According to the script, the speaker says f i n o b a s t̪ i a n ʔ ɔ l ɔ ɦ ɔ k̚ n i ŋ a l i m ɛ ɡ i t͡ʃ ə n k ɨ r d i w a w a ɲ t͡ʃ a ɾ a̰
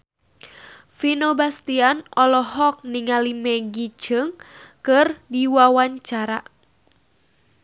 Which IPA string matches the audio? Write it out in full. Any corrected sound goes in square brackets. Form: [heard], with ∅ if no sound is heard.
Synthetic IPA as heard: f i n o b a s t̪ i a n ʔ ɔ l ɔ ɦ ɔ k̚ n i ŋ a l i m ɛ ɡ i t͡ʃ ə [ŋ] k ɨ r d i w a w a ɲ t͡ʃ a ɾ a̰